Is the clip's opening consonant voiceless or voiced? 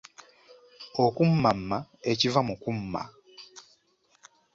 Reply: voiceless